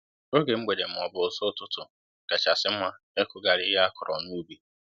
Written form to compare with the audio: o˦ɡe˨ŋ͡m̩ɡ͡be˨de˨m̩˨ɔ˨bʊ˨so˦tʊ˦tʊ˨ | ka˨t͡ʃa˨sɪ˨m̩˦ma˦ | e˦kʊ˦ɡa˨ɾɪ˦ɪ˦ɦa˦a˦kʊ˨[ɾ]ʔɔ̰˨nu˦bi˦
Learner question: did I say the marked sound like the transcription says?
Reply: yes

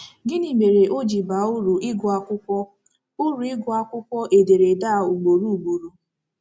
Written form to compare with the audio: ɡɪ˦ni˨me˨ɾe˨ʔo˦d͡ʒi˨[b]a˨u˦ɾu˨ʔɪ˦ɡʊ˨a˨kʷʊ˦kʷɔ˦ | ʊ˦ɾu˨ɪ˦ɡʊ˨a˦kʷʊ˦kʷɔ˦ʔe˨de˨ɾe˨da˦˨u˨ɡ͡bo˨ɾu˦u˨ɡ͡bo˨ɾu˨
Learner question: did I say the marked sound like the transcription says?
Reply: yes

